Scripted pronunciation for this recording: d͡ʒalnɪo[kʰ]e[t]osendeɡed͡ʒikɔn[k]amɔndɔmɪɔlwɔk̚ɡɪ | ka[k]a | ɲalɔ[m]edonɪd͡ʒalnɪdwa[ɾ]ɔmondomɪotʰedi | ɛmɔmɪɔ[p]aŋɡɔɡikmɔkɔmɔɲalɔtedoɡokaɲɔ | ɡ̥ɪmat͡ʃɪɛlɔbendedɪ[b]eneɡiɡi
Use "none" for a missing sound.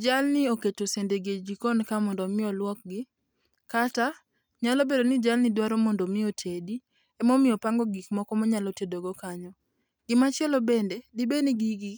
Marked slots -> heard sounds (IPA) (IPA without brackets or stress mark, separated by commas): k, t, k, t, b, ɾ, p, b